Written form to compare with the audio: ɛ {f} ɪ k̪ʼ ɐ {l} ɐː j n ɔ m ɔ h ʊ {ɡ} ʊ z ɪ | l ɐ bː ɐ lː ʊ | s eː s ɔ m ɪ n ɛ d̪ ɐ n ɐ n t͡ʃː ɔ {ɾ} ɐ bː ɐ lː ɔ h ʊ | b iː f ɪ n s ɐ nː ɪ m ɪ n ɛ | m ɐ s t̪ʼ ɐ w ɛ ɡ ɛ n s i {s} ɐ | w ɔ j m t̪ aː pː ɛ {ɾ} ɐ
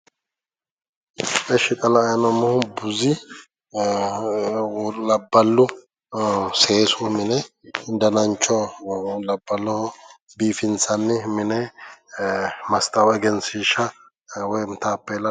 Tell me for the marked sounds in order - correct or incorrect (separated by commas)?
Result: incorrect, correct, incorrect, incorrect, incorrect, incorrect